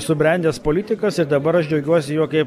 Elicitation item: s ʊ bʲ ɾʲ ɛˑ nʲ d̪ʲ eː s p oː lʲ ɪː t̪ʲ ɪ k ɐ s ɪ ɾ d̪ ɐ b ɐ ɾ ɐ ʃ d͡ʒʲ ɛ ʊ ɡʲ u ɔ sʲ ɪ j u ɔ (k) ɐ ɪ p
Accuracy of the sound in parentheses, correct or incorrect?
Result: correct